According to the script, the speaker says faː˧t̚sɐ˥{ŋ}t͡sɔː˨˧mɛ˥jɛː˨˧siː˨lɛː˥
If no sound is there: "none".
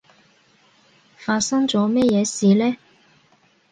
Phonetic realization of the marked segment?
ŋ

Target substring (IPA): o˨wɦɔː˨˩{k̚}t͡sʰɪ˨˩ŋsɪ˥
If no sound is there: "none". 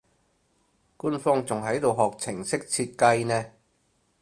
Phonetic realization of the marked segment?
k̚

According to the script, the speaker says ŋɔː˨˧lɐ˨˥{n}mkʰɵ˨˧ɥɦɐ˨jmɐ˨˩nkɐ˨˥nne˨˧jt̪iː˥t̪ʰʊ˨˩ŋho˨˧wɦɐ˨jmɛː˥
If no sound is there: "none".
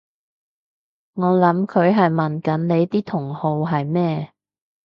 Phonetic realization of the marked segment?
none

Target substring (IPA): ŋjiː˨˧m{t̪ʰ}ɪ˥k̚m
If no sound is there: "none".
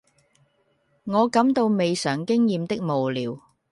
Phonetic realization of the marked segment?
t̪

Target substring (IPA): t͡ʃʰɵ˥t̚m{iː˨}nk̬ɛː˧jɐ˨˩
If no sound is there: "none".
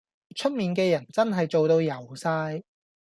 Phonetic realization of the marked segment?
iː˨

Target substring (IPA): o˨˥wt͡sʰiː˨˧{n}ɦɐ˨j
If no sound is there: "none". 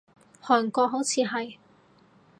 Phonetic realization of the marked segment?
none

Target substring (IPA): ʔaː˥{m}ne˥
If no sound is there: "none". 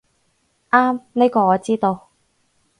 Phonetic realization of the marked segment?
m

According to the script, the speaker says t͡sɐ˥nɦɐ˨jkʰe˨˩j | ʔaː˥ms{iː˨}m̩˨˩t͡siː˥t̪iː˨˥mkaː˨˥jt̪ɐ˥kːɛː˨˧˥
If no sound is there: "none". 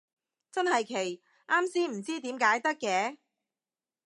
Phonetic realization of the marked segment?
iː˥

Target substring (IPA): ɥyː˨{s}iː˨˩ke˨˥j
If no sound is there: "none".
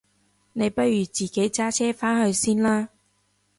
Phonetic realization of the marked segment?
t͡s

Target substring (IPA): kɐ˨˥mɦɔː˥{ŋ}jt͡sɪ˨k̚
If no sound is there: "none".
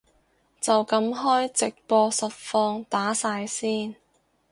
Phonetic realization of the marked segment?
none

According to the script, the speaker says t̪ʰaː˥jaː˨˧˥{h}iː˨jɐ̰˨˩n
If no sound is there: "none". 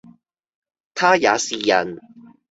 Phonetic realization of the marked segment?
s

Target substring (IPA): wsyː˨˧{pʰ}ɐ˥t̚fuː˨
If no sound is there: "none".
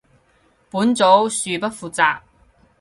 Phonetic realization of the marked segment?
p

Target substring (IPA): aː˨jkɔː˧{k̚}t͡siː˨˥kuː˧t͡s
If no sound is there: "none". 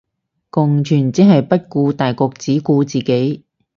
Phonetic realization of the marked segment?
k̚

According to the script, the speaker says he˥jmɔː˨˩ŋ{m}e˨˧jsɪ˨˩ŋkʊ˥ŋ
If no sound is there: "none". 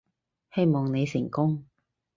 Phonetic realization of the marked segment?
n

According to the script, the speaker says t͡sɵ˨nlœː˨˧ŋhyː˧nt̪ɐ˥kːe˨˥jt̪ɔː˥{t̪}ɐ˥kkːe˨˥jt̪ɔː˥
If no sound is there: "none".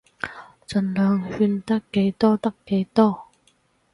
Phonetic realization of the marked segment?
t̪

